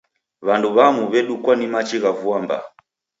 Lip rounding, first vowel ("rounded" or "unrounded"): unrounded